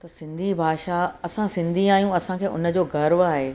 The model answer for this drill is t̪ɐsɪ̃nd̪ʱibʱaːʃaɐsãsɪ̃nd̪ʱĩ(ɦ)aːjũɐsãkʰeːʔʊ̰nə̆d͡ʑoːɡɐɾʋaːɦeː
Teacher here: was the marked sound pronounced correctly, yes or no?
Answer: no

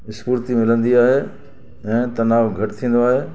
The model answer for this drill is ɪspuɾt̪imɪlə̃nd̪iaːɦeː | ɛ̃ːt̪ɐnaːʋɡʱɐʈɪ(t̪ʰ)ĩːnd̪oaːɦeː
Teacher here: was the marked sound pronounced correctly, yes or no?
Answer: yes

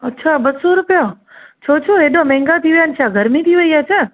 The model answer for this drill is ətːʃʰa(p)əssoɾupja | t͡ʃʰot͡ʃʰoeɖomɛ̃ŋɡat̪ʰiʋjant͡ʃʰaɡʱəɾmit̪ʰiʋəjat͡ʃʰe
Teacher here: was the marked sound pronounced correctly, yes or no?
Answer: no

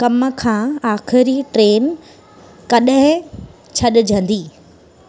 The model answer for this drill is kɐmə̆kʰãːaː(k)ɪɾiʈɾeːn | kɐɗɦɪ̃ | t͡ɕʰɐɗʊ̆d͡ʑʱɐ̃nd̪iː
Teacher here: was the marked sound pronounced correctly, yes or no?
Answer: no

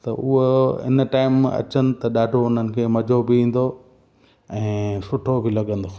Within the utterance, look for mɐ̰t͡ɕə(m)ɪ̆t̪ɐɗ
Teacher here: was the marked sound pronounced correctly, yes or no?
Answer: no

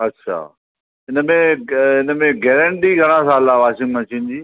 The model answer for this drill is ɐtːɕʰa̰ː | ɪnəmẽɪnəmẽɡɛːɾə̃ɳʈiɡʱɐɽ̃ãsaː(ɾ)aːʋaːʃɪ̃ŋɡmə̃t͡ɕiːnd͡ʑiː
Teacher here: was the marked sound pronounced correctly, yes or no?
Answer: no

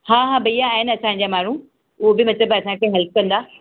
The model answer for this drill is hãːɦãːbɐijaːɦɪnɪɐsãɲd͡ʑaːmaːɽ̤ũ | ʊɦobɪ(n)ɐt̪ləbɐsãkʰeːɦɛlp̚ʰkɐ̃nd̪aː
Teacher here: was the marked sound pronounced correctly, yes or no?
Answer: no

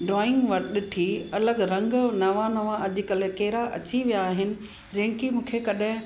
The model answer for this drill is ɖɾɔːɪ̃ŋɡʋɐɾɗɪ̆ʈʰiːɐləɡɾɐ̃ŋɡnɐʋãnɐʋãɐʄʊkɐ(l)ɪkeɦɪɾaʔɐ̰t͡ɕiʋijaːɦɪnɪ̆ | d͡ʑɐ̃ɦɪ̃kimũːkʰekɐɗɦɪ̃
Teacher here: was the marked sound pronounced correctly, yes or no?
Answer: yes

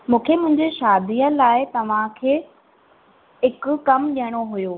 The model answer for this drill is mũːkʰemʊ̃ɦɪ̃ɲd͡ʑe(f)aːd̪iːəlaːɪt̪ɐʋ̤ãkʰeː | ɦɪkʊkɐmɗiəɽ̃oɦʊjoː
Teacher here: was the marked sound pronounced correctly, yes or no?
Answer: no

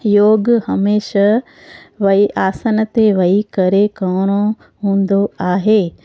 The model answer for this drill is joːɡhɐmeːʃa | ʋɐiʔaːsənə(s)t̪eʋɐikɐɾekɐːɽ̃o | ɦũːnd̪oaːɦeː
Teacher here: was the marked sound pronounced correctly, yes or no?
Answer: no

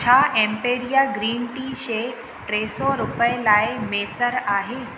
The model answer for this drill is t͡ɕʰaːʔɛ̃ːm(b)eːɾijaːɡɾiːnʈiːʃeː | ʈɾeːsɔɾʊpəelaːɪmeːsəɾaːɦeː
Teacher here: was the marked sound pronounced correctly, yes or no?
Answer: no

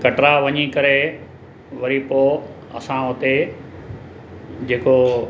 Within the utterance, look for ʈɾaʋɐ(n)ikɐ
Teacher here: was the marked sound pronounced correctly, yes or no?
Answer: no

